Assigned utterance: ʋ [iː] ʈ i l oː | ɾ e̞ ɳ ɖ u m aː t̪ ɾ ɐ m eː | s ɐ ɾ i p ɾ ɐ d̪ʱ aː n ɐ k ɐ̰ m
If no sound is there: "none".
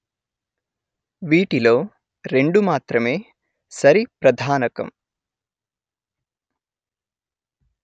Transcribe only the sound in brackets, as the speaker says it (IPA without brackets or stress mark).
iː